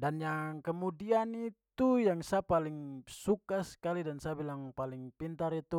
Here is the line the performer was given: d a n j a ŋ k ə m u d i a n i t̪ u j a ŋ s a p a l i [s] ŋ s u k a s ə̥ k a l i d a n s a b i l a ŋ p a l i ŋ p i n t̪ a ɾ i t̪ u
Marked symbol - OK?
no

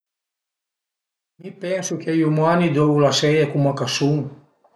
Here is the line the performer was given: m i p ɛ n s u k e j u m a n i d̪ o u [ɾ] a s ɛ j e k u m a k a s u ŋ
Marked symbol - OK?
no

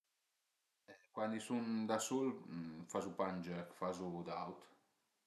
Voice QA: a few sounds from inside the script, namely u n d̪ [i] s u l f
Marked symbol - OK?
no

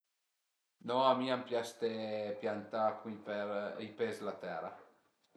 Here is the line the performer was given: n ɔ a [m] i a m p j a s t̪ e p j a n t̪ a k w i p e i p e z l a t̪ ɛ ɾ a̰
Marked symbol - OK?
yes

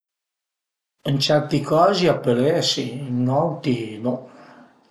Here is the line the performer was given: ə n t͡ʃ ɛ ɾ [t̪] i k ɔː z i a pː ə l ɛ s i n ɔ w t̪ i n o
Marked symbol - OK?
yes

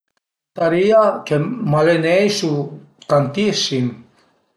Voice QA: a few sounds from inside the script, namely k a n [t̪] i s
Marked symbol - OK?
yes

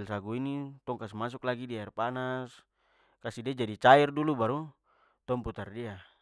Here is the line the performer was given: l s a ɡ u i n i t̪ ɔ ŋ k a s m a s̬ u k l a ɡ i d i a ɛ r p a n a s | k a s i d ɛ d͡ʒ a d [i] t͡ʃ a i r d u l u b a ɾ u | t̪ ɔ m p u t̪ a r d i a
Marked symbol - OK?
yes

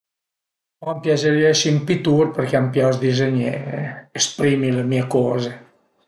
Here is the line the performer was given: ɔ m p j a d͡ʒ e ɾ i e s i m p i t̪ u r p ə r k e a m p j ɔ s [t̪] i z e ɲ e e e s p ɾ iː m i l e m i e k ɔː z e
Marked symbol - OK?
no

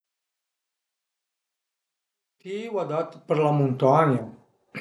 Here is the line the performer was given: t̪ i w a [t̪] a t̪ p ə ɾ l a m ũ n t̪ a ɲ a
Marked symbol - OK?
no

